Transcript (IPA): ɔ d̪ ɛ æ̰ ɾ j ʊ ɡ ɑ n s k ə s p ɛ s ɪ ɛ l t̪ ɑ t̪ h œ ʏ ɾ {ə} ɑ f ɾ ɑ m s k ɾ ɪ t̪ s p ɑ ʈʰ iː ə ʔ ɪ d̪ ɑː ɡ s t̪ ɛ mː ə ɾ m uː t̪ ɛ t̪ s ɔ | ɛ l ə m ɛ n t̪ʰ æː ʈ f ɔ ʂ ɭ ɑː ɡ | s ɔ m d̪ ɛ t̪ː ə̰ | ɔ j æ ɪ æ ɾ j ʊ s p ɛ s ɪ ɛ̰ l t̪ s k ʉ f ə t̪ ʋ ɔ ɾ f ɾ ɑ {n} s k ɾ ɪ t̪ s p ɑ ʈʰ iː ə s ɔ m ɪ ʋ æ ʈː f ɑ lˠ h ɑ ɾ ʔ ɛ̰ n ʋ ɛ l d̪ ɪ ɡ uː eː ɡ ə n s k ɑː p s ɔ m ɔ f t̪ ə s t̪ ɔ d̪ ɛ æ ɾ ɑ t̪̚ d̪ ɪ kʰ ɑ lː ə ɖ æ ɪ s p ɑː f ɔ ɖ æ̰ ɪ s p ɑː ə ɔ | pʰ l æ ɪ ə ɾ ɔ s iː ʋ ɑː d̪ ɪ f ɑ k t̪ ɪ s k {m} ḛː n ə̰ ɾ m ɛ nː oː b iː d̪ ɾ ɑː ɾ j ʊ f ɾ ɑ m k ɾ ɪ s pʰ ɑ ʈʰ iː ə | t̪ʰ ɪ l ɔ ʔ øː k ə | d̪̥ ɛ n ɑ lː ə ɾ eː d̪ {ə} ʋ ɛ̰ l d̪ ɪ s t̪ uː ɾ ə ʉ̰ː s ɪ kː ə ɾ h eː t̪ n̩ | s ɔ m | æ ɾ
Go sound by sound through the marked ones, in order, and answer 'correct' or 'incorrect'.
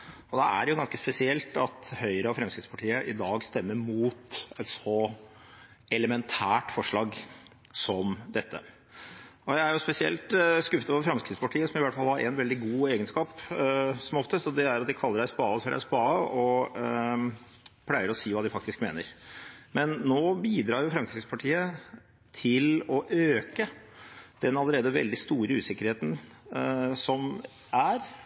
correct, incorrect, correct, correct

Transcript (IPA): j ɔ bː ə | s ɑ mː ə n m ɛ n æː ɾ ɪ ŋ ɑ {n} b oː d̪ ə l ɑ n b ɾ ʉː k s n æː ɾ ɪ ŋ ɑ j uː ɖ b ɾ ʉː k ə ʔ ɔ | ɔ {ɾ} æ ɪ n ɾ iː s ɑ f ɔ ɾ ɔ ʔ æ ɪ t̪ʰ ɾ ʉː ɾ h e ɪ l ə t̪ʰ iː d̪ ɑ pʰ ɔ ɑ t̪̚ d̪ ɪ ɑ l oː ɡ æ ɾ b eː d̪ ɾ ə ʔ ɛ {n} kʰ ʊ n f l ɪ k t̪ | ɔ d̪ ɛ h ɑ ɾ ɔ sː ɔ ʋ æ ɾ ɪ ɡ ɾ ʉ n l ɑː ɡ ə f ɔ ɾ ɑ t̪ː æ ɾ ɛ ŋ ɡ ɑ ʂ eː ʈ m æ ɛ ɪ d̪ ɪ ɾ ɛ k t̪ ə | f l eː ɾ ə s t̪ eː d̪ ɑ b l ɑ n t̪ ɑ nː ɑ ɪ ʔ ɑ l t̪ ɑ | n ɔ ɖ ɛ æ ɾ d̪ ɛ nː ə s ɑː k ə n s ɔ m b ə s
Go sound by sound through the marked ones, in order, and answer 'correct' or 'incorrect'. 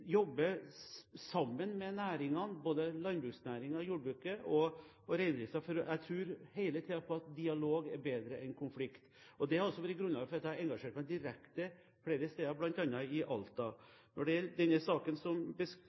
correct, correct, correct

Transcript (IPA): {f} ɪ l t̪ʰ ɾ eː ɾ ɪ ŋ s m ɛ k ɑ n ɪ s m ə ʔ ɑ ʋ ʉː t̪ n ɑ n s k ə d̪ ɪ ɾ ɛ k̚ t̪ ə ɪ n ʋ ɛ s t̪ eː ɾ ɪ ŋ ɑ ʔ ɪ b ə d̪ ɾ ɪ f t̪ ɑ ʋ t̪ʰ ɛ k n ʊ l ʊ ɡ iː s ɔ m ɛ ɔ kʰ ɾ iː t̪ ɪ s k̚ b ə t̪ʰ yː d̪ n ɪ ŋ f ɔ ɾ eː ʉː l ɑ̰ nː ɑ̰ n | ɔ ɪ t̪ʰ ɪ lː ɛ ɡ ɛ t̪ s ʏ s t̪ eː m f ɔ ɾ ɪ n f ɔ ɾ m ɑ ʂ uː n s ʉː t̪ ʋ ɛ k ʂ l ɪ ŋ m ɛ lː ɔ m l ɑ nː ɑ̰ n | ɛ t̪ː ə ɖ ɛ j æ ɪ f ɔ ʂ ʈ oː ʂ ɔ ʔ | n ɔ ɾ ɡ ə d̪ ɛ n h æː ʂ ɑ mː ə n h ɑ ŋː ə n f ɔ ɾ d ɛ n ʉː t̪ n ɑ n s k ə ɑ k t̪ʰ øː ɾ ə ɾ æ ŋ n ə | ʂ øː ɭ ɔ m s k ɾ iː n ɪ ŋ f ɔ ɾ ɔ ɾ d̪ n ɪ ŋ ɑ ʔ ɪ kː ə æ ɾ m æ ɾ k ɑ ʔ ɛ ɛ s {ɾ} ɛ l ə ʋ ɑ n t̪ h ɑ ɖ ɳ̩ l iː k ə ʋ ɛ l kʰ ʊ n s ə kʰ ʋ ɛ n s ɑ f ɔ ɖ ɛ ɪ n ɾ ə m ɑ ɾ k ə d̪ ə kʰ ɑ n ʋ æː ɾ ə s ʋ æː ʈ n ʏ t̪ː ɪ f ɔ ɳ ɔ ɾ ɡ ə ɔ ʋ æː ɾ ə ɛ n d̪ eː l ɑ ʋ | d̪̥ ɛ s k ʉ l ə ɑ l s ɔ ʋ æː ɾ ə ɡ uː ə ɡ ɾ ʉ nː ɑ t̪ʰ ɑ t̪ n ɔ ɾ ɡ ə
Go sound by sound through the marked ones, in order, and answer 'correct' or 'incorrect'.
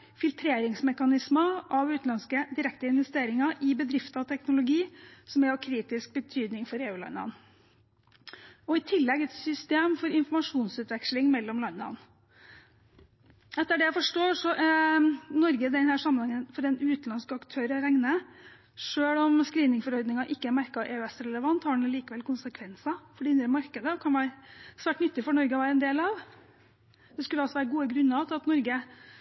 correct, correct

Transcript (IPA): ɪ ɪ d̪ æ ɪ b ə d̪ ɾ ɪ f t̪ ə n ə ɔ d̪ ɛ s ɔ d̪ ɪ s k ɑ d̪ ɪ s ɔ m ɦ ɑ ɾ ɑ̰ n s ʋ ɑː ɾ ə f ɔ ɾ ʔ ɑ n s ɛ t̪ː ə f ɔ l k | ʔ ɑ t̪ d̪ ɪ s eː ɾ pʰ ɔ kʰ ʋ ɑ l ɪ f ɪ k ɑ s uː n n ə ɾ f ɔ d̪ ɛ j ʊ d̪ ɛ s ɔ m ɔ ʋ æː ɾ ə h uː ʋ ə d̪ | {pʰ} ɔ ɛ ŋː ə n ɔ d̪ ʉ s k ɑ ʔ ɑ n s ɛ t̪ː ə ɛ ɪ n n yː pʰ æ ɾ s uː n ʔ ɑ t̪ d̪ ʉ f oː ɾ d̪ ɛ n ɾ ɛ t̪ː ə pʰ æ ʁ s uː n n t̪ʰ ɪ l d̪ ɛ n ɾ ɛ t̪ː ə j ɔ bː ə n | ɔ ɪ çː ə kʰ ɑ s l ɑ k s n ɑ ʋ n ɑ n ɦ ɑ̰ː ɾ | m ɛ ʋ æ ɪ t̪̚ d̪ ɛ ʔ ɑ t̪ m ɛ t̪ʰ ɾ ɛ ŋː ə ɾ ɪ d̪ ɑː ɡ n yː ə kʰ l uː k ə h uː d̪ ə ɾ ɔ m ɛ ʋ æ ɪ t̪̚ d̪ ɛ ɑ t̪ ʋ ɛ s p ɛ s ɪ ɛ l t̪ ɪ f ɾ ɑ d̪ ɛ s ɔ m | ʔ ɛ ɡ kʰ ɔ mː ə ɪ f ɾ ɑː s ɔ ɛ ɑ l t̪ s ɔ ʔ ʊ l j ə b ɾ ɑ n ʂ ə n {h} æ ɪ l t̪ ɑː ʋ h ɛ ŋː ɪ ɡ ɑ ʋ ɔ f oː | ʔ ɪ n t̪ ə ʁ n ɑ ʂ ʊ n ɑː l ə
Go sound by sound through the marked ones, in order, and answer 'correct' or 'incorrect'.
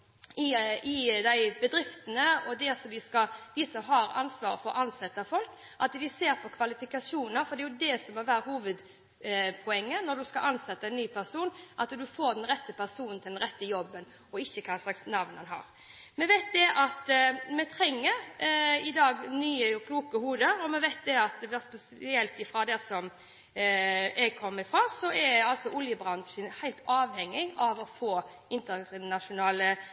correct, correct

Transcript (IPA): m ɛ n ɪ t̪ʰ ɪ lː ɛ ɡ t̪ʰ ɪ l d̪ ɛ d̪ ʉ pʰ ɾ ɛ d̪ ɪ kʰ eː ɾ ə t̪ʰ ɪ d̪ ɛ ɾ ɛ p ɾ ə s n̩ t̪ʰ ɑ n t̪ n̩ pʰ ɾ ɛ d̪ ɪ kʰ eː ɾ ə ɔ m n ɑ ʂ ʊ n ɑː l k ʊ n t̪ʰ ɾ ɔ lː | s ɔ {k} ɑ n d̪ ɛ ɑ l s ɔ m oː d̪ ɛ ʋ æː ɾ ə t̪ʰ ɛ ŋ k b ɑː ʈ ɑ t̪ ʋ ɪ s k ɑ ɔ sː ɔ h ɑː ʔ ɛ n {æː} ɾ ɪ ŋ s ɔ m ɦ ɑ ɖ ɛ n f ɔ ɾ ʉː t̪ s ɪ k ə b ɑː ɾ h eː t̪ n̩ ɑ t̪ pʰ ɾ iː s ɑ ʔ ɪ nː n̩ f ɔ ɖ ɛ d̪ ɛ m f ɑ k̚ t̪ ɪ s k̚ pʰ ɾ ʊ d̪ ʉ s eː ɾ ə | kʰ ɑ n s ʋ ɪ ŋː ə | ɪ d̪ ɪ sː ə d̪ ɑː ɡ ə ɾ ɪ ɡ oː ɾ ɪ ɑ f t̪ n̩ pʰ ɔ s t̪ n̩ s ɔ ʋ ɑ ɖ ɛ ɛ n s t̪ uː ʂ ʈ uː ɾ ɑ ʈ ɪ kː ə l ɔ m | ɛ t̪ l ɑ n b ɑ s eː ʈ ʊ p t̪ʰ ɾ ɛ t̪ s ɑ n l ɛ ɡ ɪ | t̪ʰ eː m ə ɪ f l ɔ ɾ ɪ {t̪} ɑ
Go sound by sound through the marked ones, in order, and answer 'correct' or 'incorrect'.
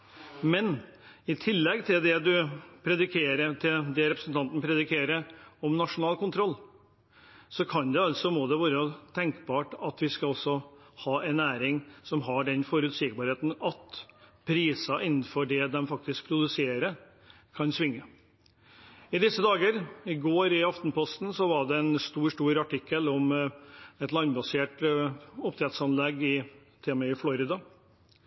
incorrect, correct, incorrect

